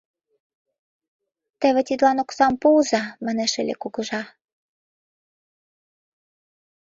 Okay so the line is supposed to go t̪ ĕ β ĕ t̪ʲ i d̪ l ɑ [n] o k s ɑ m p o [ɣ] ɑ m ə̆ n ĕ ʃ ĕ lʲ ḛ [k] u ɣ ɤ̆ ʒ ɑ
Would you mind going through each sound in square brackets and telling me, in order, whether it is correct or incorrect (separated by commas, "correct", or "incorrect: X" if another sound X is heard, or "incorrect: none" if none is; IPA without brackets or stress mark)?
correct, incorrect: z, correct